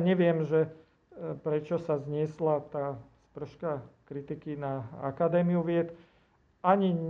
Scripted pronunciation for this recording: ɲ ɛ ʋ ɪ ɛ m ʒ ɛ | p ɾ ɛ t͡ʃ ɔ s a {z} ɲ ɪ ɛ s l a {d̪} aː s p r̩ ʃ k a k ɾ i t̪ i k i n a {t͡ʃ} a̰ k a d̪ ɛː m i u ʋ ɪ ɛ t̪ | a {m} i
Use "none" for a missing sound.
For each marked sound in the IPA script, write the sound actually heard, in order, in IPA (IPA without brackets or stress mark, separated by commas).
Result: z, t̪, none, ɲ